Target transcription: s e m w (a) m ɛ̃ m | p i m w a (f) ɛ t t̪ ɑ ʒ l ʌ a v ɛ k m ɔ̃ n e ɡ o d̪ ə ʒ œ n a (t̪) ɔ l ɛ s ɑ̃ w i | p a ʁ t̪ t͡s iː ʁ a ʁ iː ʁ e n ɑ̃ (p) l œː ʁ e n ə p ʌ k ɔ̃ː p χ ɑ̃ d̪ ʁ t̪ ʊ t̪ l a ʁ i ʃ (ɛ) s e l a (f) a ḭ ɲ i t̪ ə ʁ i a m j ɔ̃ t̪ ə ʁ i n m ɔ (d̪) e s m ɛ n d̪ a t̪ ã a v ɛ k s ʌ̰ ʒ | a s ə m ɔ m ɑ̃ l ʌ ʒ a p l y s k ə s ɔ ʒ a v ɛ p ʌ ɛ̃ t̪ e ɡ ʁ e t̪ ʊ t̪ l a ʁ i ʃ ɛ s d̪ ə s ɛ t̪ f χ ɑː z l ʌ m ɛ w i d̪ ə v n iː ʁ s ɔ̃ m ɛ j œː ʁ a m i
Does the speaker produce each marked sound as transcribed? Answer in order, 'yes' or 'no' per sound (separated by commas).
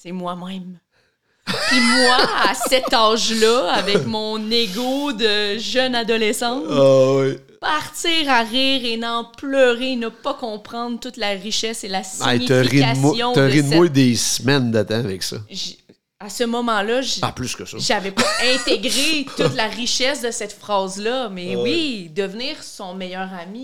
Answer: yes, no, no, yes, yes, no, yes